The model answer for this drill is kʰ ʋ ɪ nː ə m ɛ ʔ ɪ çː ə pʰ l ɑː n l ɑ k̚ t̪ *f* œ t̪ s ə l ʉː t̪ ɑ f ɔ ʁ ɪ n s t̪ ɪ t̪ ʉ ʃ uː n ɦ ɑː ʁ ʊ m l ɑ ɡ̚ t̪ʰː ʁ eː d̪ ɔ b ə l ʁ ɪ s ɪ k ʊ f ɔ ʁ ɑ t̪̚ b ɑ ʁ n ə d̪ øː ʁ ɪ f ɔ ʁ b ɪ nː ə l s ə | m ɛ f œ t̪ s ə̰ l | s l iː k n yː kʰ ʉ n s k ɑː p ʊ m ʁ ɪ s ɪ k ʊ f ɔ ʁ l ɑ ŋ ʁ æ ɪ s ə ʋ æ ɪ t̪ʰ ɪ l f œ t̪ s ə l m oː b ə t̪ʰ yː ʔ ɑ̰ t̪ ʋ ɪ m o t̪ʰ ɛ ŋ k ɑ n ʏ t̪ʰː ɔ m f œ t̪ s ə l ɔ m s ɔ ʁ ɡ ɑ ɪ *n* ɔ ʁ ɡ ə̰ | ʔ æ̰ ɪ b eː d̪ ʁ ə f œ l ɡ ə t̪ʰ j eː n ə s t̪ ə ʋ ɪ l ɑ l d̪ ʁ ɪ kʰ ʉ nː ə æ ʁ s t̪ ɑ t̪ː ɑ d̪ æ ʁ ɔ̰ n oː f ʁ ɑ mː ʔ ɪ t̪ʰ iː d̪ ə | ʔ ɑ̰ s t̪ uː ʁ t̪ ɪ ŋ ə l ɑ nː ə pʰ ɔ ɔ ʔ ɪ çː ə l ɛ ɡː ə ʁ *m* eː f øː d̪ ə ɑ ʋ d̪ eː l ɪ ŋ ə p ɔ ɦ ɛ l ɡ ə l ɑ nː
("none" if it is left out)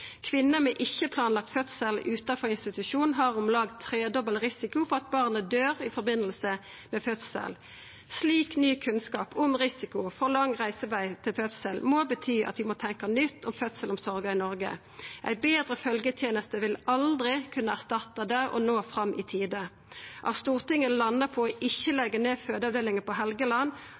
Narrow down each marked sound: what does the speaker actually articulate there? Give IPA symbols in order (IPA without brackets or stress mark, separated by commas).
f, n, n